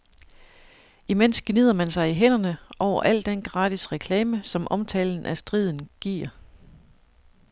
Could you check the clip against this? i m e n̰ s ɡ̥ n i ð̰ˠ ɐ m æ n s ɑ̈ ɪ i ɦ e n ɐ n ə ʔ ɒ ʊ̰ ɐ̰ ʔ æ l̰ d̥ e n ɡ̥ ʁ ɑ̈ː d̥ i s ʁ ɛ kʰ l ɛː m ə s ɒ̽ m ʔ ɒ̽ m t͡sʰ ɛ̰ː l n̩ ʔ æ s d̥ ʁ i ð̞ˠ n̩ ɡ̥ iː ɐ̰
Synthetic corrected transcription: i m e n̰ s ɡ̥ n i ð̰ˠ ɐ m æ n s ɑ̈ ɪ i ɦ e n ɐ n ə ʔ ɒ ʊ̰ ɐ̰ ʔ æ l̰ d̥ e n ɡ̥ ʁ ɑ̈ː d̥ i s ʁ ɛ kʰ l ɛː m ə s ɒ̽ m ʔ ɒ̽ m t͡sʰ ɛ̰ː l n̩ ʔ æ s d̥ ʁ i ð̞ˠ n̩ ɡ̥ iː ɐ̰